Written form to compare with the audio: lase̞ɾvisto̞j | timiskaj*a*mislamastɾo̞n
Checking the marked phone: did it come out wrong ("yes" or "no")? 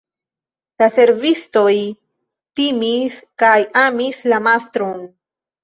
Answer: no